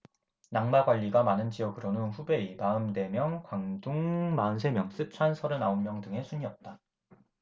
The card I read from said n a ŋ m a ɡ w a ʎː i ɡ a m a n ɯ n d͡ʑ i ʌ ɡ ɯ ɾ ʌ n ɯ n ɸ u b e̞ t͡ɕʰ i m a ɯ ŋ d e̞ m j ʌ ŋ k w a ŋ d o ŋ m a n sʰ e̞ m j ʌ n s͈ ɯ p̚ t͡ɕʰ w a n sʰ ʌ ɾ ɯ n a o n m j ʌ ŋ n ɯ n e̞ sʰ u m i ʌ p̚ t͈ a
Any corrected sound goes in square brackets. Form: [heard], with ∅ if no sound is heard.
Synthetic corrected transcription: n a ŋ m a ɡ w a ʎː i ɡ a m a n ɯ n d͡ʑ i ʌ ɡ ɯ ɾ ʌ n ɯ n ɸ u b e̞ [∅] i m a ɯ [m] d e̞ m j ʌ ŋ k w a ŋ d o ŋ m a n sʰ e̞ m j ʌ [ŋ] s͈ ɯ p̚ t͡ɕʰ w a n sʰ ʌ ɾ ɯ n a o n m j ʌ ŋ [d] ɯ [ŋ] e̞ sʰ u [ɲ] i ʌ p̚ t͈ a